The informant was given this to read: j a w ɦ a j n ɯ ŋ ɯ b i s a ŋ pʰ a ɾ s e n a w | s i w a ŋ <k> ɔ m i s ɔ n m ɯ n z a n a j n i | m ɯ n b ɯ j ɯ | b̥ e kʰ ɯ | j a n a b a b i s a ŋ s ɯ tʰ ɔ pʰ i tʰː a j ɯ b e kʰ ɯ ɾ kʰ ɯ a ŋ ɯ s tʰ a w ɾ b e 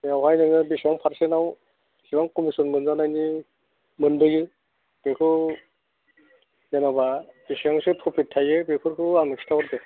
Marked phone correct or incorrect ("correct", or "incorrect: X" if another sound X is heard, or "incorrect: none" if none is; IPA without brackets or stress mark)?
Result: correct